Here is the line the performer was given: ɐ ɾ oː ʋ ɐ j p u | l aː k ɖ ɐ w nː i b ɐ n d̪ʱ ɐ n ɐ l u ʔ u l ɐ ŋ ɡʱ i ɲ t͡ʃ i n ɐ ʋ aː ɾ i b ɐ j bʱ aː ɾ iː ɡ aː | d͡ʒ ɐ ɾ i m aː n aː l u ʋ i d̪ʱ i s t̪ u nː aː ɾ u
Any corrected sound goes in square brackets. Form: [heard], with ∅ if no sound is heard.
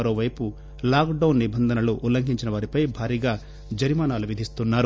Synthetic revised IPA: ɐ ɾ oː ʋ ɐ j p u | l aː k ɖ ɐ w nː i b ɐ n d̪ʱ ɐ n ɐ l u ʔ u l ɐ ŋ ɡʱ i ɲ t͡ʃ i n ɐ ʋ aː ɾ i [p] ɐ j bʱ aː ɾ iː ɡ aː | d͡ʒ ɐ ɾ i m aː n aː l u ʋ i d̪ʱ i s t̪ u nː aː ɾ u